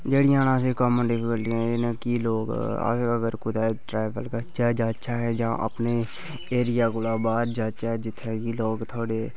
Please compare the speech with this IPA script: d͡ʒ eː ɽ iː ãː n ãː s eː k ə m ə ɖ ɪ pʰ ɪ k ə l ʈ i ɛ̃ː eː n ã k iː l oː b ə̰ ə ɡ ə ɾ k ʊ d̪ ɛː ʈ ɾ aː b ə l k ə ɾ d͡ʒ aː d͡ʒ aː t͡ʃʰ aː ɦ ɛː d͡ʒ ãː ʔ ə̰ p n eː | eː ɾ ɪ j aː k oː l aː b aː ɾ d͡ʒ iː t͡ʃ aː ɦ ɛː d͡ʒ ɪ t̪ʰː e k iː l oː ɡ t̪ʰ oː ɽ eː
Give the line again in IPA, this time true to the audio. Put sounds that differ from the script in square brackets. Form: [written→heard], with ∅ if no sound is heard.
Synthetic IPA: d͡ʒ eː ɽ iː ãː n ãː s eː k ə m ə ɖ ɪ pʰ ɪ k ə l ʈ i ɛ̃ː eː n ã k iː l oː [b→ɡ] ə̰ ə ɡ ə ɾ k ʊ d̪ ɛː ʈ ɾ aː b ə l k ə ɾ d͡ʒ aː d͡ʒ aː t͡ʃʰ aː ɦ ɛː d͡ʒ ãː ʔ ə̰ p n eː | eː ɾ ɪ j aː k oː l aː b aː ɾ d͡ʒ [iː→aː] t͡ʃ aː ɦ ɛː d͡ʒ ɪ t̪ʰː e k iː l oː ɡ t̪ʰ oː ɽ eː